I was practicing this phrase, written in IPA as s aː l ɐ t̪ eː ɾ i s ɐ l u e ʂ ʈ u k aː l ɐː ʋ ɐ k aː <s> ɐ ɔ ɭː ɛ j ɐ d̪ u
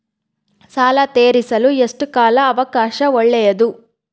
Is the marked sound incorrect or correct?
incorrect